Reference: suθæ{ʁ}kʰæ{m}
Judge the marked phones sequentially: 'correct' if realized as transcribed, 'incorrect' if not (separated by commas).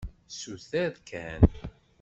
incorrect, incorrect